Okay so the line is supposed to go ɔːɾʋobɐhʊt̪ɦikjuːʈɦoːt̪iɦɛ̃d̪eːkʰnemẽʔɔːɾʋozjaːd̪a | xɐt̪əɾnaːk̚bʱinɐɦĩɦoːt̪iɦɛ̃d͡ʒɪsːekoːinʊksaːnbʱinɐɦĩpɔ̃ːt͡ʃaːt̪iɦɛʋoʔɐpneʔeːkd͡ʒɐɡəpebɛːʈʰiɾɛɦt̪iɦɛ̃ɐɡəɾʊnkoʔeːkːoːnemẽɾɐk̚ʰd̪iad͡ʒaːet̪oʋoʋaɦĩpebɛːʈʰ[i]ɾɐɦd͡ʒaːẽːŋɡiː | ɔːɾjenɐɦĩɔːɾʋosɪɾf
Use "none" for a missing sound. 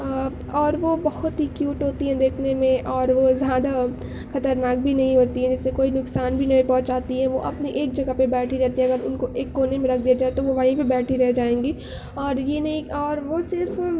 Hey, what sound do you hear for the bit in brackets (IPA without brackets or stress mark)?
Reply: i